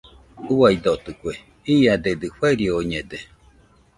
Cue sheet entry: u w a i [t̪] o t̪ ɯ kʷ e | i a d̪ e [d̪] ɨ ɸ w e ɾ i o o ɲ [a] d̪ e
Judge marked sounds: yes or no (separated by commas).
no, yes, no